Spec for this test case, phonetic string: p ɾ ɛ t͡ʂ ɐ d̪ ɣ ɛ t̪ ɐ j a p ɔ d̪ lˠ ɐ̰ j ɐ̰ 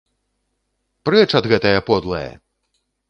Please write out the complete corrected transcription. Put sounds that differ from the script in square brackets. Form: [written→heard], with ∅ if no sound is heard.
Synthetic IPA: p ɾ ɛ t͡ʂ ɐ d̪ ɣ ɛ t̪ ɐ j [a→ɐ] p ɔ d̪ lˠ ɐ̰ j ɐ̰